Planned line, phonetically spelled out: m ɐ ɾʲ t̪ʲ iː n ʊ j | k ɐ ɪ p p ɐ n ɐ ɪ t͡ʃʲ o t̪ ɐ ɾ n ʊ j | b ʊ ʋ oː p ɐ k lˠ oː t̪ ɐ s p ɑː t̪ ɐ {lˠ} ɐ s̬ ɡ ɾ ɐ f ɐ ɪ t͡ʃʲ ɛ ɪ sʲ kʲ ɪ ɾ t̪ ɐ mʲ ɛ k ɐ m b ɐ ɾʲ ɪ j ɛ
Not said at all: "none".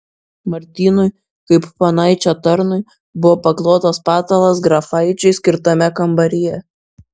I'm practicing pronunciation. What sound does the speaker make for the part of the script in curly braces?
lˠ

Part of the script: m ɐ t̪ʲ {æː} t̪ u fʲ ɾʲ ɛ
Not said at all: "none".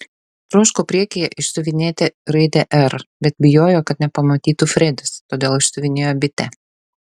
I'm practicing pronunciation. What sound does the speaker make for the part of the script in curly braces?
iː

